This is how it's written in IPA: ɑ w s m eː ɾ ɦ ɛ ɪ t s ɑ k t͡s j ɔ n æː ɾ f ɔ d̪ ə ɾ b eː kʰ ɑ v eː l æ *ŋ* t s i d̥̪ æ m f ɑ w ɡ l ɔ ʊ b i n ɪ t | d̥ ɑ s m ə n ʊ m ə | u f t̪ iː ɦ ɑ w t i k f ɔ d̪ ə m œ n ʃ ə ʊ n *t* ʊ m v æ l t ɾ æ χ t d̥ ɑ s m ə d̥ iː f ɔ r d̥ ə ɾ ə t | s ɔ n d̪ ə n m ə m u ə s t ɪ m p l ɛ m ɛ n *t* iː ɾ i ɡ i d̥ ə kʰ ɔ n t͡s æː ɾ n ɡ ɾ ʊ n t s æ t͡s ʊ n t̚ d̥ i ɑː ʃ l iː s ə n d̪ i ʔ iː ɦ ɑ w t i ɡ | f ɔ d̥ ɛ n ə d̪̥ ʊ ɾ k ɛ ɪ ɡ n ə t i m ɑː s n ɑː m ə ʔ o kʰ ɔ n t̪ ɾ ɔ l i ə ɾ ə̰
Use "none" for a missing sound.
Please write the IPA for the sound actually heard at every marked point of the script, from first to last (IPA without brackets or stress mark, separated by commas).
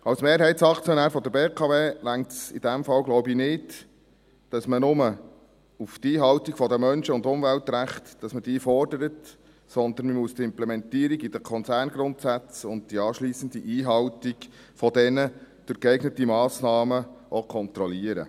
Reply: ŋ, d, t